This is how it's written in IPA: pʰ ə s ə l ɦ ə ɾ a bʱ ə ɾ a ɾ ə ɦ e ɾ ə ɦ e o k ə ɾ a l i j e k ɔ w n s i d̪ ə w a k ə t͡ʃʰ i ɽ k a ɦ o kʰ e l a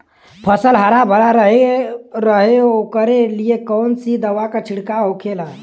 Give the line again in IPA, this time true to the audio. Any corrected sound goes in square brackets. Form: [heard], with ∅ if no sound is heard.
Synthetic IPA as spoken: pʰ ə s ə l ɦ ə ɾ a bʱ ə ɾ a ɾ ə ɦ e ɾ ə ɦ e o k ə ɾ [e] l i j e k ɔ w n s i d̪ ə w a k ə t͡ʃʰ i ɽ k a ɦ o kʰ e l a